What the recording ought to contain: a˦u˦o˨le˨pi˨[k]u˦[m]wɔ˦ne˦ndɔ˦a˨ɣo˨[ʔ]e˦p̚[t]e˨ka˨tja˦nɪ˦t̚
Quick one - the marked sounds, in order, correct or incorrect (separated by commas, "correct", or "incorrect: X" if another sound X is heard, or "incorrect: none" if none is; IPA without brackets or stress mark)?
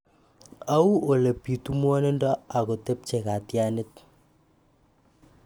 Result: incorrect: t, correct, incorrect: t, incorrect: t͡ʃ